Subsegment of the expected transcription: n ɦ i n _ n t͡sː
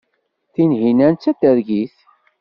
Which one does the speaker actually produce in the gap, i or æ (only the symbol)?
æ